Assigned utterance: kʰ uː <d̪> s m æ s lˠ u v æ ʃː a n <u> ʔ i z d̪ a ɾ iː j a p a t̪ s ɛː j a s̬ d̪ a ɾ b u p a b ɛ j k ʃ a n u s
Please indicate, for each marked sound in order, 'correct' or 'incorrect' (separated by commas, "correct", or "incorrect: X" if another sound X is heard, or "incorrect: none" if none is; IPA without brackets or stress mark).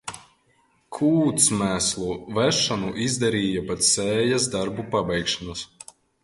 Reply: incorrect: t̪, correct